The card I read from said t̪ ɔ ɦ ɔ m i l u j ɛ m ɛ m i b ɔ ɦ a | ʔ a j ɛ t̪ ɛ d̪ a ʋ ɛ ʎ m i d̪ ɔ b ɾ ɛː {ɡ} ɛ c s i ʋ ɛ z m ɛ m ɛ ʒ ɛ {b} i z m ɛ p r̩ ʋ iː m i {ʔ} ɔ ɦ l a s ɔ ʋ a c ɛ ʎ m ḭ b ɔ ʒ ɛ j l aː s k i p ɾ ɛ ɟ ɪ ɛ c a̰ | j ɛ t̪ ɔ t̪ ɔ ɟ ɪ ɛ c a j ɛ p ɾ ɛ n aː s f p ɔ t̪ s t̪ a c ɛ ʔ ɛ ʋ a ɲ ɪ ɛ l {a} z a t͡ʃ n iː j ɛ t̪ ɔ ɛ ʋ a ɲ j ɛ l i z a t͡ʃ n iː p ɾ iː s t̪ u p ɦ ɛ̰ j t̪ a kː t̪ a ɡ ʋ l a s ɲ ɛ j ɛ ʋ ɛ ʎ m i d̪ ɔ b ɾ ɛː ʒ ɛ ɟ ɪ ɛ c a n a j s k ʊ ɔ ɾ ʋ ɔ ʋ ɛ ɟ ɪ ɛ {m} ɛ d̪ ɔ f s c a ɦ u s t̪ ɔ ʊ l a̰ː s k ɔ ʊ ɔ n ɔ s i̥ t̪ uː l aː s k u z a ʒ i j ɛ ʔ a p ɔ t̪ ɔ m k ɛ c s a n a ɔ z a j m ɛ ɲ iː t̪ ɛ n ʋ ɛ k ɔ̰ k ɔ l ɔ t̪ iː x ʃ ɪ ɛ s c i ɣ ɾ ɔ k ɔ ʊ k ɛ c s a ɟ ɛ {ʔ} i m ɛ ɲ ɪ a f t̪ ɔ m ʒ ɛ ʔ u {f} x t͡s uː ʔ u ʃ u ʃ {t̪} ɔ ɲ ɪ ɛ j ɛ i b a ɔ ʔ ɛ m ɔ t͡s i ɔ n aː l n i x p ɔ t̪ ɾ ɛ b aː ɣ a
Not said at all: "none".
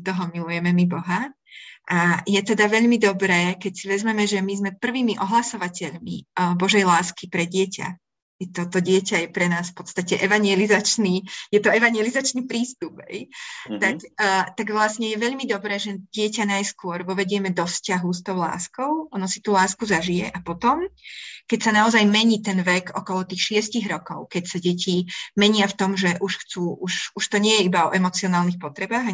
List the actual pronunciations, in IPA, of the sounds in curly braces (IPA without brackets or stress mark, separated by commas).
k, m, ʔ, i, m, c, ʃ, t̪